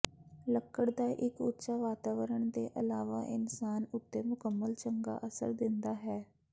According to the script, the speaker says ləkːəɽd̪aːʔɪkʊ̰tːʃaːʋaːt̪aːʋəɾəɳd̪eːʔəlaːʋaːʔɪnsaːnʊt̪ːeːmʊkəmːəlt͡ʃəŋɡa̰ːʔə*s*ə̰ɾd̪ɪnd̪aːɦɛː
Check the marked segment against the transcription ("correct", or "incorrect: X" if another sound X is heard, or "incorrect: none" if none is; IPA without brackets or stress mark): correct